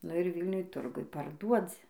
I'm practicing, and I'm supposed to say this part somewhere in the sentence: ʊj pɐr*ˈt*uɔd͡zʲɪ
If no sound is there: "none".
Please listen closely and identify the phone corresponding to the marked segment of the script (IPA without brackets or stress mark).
d